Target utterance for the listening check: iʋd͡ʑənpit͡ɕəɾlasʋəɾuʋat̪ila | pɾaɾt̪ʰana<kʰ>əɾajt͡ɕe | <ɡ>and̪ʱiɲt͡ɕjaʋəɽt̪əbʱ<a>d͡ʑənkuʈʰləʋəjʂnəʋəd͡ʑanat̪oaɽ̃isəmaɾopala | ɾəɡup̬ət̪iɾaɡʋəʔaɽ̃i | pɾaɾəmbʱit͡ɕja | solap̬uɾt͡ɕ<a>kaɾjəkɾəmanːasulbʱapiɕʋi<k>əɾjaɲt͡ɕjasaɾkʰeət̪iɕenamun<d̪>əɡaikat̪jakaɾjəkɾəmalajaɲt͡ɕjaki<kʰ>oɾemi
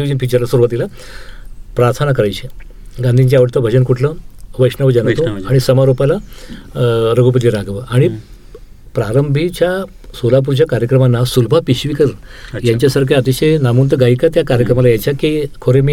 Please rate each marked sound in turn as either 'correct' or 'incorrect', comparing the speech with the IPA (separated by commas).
incorrect, correct, incorrect, correct, correct, incorrect, correct